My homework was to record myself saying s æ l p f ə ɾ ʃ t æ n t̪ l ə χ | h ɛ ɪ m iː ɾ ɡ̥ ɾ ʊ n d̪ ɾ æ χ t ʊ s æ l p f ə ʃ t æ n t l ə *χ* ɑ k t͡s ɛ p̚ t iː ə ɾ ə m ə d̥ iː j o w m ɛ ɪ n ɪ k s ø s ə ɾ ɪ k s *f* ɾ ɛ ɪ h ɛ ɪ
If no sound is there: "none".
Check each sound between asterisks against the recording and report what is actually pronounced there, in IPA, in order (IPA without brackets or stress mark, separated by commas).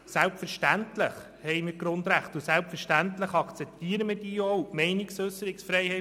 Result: χ, f